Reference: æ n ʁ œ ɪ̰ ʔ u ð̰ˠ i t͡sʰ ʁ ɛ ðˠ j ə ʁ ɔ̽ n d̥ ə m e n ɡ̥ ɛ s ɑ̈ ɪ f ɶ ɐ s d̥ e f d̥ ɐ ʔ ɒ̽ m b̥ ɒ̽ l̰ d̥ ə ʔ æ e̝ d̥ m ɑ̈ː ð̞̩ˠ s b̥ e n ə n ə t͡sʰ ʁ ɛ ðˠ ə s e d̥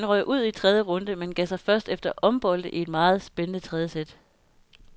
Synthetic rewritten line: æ n ʁ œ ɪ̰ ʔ u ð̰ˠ i t͡sʰ ʁ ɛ ðˠ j ə ʁ ɔ̽ n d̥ ə m e n ɡ̥ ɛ s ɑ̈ ɪ f ɶ ɐ s d̥ e f d̥ ɐ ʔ ɒ̽ m b̥ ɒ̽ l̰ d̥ ə ʔ i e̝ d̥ m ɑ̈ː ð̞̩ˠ s b̥ e n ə n ə t͡sʰ ʁ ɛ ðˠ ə s e d̥